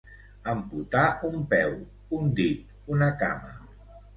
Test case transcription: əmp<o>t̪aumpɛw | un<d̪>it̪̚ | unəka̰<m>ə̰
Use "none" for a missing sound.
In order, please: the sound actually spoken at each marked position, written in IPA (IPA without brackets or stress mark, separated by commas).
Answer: u, d̪, m